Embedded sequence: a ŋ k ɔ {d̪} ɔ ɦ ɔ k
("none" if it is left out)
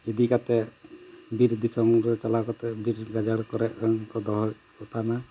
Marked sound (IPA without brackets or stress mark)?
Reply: d̪